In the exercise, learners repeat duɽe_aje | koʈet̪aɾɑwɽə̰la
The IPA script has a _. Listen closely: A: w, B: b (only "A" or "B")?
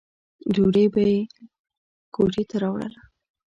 B